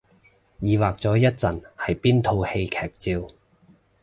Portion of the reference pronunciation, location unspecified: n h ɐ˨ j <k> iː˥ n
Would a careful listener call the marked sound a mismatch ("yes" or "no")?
yes